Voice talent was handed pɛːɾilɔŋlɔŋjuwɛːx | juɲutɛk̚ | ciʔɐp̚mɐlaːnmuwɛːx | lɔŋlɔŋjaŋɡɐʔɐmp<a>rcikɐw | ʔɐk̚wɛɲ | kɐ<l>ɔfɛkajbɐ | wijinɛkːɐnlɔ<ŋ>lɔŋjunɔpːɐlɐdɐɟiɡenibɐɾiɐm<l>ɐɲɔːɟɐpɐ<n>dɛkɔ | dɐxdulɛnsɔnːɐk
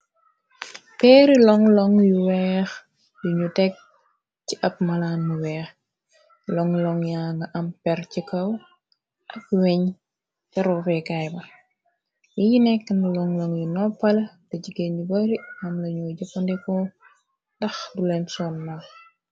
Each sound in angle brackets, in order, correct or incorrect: incorrect: ɛ, incorrect: ɾ, correct, correct, correct

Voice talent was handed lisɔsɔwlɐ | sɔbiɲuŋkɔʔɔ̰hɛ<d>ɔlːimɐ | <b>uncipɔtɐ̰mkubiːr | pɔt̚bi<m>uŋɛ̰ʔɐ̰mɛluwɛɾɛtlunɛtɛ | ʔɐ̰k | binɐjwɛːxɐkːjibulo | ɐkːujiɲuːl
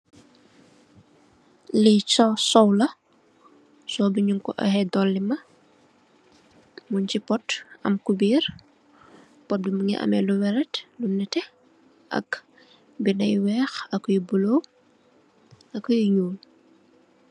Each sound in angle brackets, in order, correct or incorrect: correct, incorrect: m, correct

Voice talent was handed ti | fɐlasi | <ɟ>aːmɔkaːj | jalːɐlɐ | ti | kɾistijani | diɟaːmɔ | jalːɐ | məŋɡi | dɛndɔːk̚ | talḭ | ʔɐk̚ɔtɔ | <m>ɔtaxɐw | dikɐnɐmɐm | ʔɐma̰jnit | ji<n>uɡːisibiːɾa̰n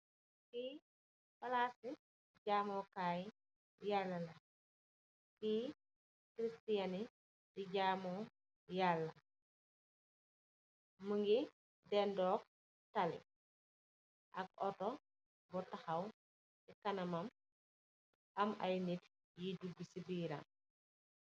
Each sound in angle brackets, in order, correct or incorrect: correct, incorrect: b, incorrect: d

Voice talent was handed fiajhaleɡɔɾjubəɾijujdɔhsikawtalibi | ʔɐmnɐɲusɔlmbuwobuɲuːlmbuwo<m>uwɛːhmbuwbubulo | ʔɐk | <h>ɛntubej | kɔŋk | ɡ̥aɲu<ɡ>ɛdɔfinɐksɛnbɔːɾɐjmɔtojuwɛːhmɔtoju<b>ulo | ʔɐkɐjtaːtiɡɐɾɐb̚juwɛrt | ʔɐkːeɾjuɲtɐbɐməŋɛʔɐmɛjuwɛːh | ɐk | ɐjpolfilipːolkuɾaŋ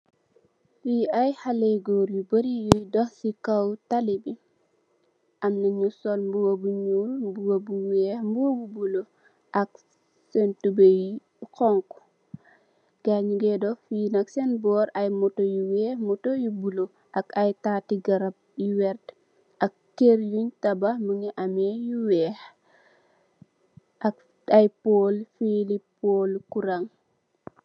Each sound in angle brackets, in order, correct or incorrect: incorrect: b, incorrect: s, correct, correct

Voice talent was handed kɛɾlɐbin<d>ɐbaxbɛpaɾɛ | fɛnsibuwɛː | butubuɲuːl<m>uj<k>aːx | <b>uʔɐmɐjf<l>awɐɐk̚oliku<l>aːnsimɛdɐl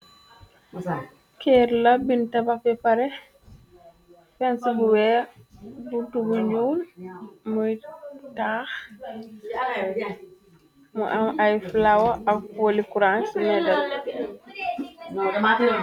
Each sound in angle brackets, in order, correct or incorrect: incorrect: t, correct, incorrect: t, incorrect: m, correct, incorrect: ɾ

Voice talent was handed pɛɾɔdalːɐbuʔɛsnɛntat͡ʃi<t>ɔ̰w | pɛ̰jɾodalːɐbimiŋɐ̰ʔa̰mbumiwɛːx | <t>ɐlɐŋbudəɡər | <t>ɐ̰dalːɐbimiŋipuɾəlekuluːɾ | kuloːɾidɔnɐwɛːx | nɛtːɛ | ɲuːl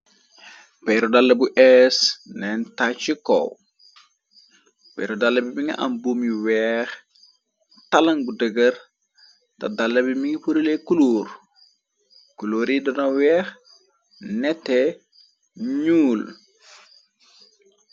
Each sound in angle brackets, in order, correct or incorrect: incorrect: k, correct, correct

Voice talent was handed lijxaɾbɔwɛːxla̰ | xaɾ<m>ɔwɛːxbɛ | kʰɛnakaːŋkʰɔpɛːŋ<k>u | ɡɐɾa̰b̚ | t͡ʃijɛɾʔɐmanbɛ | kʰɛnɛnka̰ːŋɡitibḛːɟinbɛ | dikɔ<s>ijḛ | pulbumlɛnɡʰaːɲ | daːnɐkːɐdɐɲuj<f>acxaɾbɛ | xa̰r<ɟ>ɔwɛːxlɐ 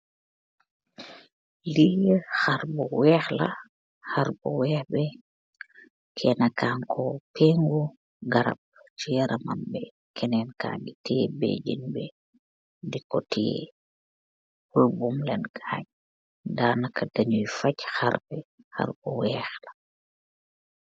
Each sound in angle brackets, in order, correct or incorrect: incorrect: b, incorrect: ɡ, incorrect: t, correct, incorrect: b

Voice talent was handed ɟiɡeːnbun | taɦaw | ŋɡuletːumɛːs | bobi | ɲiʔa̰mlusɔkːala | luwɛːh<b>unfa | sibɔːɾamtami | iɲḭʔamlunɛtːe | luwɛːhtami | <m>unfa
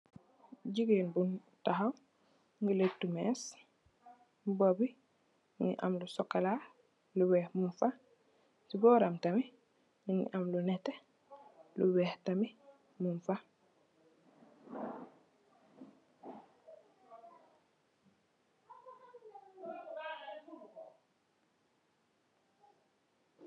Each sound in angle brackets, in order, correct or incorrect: incorrect: m, correct

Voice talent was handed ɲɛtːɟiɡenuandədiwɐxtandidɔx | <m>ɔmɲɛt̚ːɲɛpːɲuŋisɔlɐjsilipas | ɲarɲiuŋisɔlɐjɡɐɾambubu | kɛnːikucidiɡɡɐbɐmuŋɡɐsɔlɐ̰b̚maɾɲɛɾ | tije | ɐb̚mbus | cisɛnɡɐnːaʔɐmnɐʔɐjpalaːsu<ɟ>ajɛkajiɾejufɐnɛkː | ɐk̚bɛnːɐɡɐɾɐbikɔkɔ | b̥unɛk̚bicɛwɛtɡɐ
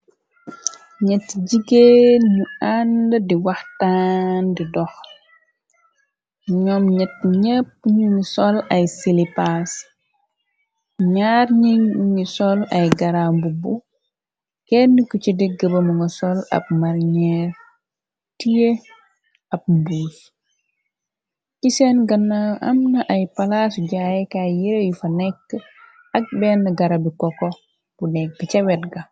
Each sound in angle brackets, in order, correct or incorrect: incorrect: ɲ, correct

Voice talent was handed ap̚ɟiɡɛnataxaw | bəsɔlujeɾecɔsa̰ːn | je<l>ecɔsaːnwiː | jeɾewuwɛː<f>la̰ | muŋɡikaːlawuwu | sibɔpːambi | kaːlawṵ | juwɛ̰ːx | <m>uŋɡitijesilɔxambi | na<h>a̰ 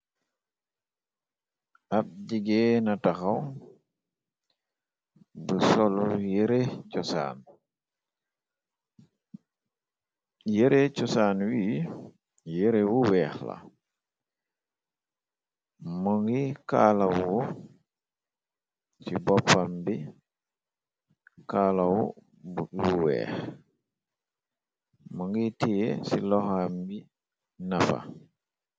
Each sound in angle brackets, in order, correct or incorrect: incorrect: ɾ, incorrect: x, correct, incorrect: f

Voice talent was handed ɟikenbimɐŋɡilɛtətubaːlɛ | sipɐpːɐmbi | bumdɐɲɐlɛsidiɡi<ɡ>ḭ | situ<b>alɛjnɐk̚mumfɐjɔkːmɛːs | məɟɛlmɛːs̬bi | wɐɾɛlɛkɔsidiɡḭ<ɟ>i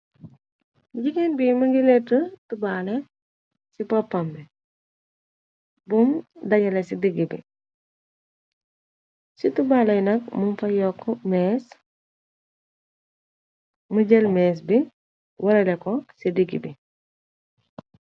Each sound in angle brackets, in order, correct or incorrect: incorrect: b, correct, incorrect: b

